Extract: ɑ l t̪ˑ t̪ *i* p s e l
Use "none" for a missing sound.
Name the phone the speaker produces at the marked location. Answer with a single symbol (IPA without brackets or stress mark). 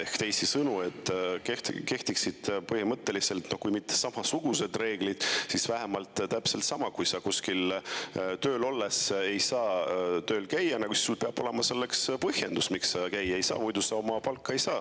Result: æ